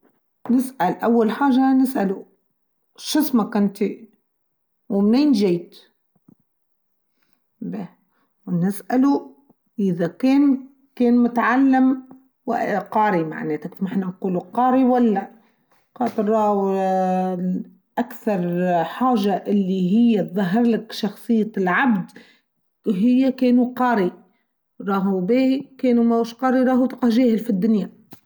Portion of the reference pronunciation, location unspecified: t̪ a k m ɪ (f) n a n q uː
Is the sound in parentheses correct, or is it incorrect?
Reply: incorrect